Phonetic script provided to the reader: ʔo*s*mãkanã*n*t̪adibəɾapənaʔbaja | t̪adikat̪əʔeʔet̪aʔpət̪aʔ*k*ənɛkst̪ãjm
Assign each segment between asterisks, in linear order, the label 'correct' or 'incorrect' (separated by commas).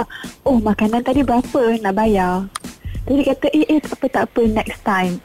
incorrect, correct, incorrect